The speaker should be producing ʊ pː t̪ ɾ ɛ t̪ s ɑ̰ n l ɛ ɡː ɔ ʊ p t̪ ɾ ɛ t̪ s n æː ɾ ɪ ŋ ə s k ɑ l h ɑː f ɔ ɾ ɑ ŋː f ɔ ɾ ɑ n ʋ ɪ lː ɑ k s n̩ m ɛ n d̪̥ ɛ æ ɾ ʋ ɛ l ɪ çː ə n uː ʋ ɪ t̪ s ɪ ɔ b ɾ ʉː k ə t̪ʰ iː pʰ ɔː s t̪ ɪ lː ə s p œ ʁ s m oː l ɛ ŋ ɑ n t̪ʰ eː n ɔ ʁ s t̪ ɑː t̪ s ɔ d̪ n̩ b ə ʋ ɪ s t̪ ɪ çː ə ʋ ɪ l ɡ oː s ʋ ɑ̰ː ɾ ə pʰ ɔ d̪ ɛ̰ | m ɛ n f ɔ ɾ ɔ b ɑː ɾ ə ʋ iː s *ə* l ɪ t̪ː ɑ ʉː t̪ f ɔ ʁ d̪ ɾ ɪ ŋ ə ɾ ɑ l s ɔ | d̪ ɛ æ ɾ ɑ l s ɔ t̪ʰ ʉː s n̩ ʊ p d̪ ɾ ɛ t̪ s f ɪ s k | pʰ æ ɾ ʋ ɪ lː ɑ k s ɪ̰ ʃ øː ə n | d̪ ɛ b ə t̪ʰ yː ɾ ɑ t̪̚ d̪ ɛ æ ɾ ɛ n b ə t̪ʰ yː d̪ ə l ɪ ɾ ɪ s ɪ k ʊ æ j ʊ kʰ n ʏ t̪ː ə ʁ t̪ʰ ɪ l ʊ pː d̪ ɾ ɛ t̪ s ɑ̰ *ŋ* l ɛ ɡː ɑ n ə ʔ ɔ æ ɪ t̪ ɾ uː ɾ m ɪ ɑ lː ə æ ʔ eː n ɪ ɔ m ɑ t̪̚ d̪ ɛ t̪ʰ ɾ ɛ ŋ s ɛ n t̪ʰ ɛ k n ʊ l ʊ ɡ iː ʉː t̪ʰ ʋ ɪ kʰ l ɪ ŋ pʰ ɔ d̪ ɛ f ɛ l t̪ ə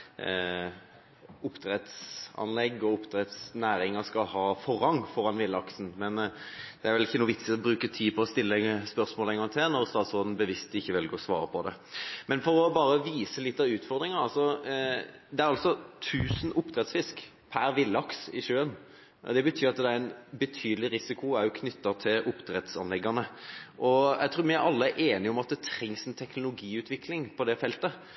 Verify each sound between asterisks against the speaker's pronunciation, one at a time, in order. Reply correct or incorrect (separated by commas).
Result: correct, incorrect